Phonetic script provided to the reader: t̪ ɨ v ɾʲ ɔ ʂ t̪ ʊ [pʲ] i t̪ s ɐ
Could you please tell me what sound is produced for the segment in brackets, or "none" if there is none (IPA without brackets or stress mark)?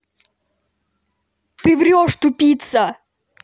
pʲ